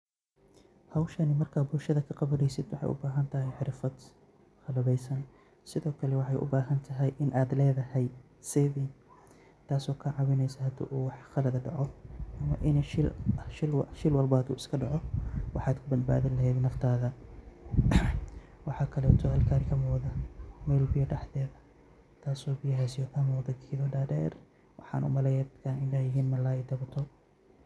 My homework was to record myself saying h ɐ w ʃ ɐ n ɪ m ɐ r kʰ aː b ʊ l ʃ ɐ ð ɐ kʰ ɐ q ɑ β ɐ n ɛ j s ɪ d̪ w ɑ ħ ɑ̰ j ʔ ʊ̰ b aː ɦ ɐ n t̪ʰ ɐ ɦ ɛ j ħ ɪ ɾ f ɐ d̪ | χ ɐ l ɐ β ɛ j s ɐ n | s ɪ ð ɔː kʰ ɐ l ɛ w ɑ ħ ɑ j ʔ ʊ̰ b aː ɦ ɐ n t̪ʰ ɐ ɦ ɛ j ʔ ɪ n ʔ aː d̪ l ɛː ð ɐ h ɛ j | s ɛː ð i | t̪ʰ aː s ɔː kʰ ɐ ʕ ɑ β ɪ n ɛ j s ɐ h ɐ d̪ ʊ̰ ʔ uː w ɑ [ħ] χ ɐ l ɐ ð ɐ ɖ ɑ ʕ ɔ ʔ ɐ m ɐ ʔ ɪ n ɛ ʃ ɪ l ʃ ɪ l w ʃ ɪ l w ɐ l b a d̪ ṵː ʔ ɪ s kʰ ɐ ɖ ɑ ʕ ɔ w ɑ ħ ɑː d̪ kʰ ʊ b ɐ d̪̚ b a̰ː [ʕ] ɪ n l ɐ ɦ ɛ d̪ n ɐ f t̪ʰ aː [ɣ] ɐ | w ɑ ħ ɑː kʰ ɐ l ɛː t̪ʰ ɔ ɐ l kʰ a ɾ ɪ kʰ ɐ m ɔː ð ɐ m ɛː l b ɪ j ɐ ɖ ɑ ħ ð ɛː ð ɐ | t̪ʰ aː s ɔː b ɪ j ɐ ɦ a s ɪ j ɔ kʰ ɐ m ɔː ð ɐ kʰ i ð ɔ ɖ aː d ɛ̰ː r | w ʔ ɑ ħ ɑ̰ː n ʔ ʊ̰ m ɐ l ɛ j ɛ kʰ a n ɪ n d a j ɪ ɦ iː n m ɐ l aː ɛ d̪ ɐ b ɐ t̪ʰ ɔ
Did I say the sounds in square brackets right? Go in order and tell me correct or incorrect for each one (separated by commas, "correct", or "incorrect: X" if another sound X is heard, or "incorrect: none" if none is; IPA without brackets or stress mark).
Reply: correct, incorrect: ð, incorrect: ð